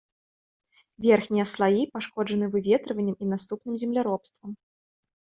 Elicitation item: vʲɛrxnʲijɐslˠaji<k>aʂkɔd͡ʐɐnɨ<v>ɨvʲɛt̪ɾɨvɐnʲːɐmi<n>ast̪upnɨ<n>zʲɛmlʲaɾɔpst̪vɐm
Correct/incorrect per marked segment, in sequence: incorrect: p, correct, correct, incorrect: m

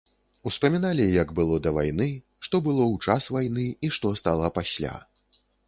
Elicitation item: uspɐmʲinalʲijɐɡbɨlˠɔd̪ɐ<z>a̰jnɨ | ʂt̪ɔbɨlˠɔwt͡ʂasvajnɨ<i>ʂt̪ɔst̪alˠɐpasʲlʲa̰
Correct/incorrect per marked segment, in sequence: incorrect: v, correct

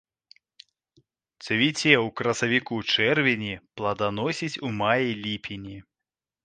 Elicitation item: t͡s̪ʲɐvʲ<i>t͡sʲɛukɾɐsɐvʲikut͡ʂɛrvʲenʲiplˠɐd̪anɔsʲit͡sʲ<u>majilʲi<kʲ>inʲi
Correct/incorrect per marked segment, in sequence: correct, correct, incorrect: pʲ

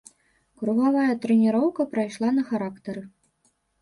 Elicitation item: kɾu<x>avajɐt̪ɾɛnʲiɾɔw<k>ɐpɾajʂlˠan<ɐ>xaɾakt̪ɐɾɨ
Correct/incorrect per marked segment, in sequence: incorrect: ɣ, correct, correct

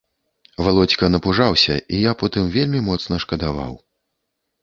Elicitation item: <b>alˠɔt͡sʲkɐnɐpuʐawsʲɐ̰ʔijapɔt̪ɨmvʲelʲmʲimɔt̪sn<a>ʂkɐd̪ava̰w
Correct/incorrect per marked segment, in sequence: incorrect: v, incorrect: ɐ

